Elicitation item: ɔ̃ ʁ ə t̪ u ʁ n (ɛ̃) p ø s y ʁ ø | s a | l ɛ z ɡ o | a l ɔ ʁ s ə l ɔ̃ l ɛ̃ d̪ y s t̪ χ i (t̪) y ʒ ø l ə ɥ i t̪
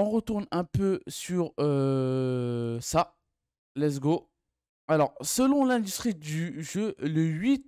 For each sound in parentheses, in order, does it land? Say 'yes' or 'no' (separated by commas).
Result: yes, no